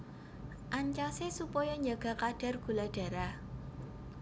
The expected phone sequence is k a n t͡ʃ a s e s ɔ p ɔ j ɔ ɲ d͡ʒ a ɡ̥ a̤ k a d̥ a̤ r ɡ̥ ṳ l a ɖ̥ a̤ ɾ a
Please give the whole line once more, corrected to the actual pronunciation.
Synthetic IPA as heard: ʔ a ɲ t͡ʃ a s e s u p ɔ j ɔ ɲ d͡ʒ a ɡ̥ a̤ k a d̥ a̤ r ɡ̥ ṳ l a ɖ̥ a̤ ɾ a